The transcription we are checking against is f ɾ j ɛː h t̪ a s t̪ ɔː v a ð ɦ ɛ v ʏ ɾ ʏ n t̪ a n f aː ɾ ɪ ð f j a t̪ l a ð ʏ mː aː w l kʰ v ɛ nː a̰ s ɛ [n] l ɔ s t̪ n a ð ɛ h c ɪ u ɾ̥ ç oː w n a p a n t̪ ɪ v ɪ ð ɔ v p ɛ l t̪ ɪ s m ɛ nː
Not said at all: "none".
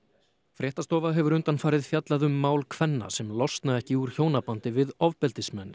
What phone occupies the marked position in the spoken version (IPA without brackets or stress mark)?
m